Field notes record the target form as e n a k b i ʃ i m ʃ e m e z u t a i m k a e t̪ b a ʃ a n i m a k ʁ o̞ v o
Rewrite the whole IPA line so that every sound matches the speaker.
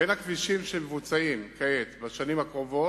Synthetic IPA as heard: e n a k v i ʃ i m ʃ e m e v u t͡s a i m k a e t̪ b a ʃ a n i m a k ʁ o̞ v o